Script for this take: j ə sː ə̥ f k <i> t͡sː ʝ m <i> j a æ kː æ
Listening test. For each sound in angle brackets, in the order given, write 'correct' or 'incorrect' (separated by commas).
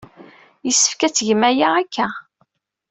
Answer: incorrect, incorrect